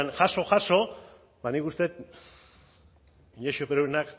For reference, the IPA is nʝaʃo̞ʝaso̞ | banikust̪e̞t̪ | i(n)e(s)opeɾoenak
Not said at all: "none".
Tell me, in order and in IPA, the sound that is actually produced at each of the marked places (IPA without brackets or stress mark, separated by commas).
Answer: ɲ, ʃ